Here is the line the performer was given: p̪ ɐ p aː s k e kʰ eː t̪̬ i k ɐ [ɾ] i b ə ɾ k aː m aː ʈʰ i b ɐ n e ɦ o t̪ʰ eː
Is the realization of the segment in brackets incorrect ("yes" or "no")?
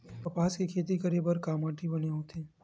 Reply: no